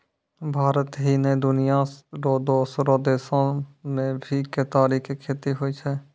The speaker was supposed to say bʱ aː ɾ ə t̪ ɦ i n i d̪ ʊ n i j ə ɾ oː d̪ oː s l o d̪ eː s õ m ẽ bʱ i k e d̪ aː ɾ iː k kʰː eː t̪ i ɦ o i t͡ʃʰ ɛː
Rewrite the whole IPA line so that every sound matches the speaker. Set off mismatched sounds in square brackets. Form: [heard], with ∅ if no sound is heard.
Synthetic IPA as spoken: bʱ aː ɾ ə t̪ ɦ i n [e] d̪ ʊ n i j [a] ɾ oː d̪ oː s [ɾ] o d̪ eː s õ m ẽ bʱ i k e [t̪] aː ɾ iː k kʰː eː t̪ i ɦ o i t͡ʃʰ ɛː